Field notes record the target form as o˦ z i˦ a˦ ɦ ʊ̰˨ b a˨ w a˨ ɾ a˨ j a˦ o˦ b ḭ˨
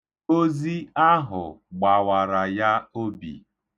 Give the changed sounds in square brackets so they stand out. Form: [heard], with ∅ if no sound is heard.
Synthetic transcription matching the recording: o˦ z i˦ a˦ ɦ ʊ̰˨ [ɡ͡b] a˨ w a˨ ɾ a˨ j a˦ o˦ b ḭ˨